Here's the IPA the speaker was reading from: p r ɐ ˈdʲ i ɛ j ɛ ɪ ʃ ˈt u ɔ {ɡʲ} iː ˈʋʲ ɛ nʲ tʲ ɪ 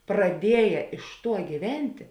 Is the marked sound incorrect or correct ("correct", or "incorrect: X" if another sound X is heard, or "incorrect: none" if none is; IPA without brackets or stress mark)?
correct